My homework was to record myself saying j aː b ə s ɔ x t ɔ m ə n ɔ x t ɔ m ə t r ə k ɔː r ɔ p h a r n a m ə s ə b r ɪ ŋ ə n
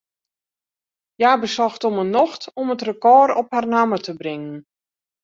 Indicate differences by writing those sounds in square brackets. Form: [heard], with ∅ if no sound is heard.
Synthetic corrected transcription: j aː b ə s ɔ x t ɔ m ə n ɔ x t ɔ m ə t r ə k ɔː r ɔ p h a r n a m ə [t] ə b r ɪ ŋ ə n